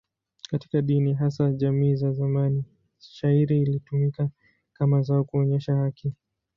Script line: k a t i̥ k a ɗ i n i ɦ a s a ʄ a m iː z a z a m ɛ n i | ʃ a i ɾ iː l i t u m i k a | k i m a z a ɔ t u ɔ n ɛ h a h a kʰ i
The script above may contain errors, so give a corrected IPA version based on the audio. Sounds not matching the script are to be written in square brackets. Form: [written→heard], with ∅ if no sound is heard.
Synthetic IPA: k a t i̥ k a ɗ i n i ɦ a s a ʄ a m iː z a z a m [ɛ→a] n i | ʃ a i ɾ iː l i t u m i k a | k [i→a] m a z a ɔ [t→k] u ɔ [n→ɲ] ɛ [h→ʃ] a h a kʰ i

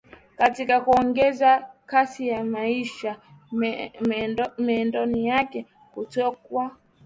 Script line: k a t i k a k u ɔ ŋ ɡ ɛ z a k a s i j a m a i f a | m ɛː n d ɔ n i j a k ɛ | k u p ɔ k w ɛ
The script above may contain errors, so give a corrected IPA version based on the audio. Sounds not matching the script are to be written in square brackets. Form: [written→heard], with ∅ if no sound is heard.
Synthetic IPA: k a t i k a k u ɔ ŋ ɡ ɛ z a k a s i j a m a i [f→ʃ] a | m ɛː n d ɔ n i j a k ɛ | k u [p→t] ɔ k w [ɛ→a]

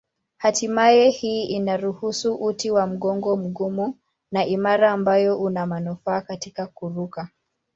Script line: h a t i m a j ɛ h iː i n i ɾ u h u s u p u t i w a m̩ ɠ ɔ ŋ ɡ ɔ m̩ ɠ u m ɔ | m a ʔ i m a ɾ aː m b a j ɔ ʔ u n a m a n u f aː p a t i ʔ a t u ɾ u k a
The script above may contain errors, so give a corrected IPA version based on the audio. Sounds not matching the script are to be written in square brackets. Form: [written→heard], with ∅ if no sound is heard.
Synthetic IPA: h a t i m a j ɛ h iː i n [i→a] ɾ u h u s u [p→ʔ] u t i w a m̩ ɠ ɔ ŋ ɡ ɔ m̩ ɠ u m [ɔ→u] | [m→n] a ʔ i m a ɾ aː m b a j ɔ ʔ u n a m a n u f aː [p→k] a t i [ʔ→k] a [t→k] u ɾ u k a

